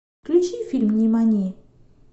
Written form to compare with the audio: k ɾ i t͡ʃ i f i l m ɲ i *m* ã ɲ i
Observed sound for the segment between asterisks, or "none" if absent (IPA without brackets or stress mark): m